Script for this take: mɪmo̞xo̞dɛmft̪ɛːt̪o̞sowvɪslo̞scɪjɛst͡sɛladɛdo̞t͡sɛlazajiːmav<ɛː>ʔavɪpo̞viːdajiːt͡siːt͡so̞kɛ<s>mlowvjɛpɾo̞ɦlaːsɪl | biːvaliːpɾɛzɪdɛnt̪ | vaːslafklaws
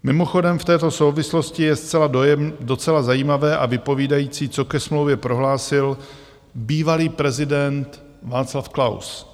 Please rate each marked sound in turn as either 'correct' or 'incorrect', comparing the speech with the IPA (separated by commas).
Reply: correct, correct